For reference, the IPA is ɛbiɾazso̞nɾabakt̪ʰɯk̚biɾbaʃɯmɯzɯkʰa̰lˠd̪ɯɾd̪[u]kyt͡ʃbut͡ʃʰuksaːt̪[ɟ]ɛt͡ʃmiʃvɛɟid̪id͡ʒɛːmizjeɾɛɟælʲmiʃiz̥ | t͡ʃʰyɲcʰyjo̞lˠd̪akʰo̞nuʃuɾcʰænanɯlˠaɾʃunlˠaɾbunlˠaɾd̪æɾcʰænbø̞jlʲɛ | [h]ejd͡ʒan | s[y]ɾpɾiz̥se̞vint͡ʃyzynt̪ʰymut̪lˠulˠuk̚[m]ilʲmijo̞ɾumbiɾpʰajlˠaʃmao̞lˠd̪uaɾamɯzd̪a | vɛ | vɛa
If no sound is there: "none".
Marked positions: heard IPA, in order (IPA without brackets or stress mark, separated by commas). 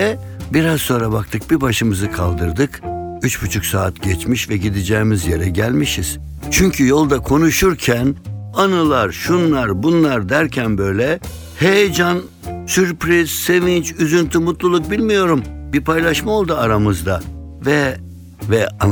ɯ, ɟ, h, y, b